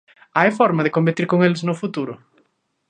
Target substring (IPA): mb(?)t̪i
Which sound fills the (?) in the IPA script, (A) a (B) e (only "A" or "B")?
B